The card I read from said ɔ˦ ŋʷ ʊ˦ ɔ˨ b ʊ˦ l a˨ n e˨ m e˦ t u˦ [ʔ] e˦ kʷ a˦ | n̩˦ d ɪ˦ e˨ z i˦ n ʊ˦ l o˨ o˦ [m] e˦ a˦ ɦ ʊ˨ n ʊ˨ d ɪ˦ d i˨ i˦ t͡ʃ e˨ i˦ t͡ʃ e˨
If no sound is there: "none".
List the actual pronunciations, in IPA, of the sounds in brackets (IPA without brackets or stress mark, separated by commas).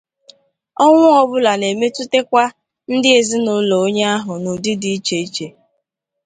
t, ɲ